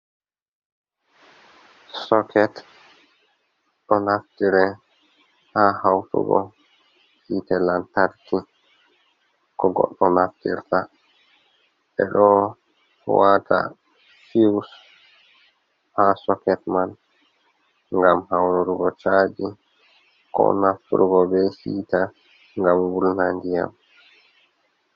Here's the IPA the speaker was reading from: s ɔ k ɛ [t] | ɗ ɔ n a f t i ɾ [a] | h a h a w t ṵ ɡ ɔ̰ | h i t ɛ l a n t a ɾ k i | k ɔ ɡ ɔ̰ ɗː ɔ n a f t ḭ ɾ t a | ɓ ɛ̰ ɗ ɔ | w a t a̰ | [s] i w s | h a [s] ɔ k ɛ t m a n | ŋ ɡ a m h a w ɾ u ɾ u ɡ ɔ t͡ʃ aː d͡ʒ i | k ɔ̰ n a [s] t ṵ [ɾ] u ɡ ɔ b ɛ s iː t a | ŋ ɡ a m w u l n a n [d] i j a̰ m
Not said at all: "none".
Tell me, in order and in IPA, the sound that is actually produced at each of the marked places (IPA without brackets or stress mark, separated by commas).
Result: t, ɛ, f, s, f, ɾ, d